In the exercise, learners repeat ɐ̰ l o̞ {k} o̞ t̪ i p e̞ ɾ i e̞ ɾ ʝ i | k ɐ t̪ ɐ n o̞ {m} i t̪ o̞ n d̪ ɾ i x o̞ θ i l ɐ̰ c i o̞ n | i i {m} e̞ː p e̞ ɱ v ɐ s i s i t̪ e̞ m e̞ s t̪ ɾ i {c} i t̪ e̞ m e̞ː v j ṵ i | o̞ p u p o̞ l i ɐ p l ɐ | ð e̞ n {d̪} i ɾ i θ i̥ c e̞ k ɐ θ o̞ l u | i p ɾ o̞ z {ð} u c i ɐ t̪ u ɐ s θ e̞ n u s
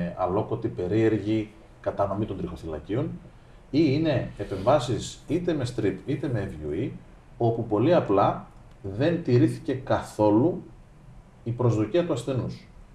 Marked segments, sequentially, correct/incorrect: correct, correct, incorrect, incorrect, incorrect, correct

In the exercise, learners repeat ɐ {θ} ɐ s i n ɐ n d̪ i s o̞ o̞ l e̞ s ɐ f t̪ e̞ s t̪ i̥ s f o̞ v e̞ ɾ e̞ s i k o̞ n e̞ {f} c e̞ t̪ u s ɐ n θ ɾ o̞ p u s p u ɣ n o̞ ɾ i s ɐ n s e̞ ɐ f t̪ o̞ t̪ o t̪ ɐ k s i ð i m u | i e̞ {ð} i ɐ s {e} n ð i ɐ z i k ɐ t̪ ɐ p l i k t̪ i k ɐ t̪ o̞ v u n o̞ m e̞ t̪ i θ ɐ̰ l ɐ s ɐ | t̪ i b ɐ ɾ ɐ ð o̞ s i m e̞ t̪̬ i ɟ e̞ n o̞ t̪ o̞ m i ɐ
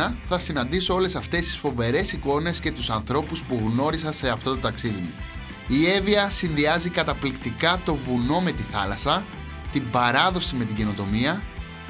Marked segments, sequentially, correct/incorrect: correct, incorrect, incorrect, incorrect

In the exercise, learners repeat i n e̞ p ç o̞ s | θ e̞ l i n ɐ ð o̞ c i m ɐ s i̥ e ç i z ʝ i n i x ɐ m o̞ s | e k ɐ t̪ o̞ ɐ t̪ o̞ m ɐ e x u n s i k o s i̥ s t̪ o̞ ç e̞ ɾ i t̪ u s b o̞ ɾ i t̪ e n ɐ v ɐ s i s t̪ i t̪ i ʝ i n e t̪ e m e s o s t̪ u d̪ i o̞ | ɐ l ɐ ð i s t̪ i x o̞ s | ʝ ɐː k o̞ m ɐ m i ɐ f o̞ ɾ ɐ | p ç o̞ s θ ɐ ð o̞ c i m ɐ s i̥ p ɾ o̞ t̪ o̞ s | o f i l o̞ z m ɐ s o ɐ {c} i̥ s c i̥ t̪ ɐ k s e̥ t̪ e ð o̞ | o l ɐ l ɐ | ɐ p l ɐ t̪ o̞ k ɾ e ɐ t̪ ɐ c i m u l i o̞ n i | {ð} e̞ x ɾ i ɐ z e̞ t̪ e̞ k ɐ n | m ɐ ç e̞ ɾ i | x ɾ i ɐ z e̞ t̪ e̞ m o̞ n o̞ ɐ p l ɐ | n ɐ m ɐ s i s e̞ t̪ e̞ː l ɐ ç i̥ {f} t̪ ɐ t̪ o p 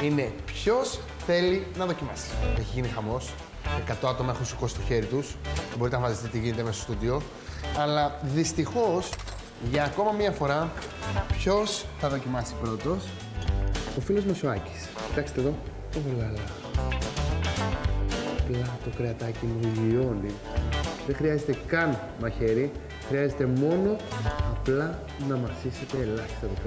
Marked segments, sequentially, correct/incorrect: correct, correct, incorrect

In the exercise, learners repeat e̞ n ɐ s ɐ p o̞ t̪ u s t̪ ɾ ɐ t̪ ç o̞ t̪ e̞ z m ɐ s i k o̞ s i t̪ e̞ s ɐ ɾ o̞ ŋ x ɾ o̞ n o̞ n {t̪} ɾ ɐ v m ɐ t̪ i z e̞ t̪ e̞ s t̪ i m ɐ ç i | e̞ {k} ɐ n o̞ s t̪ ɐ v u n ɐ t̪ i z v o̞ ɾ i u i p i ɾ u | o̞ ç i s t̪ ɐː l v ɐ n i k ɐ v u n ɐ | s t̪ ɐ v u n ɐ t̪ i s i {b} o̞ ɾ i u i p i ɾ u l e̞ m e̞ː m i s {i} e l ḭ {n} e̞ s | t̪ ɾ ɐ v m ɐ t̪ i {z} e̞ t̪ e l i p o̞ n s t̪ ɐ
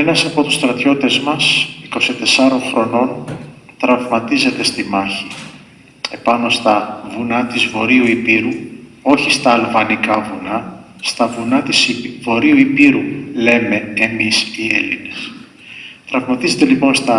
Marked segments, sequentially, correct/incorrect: correct, incorrect, incorrect, correct, correct, correct

